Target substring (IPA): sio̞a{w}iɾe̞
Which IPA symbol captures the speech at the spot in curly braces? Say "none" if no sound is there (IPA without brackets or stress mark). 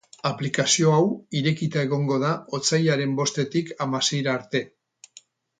w